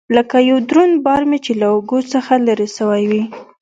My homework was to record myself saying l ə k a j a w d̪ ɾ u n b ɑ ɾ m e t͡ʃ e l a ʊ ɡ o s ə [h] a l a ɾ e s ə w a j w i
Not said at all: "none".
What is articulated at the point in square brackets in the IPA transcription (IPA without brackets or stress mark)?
x